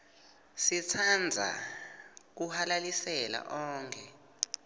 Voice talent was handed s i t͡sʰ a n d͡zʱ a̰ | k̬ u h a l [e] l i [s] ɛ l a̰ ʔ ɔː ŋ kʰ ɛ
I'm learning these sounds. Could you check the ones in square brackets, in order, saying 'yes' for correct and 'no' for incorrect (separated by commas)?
no, yes